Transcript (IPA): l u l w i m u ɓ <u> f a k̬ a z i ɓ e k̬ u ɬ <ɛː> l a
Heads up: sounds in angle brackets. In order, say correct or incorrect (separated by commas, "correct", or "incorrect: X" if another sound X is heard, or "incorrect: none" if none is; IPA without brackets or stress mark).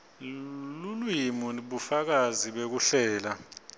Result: correct, correct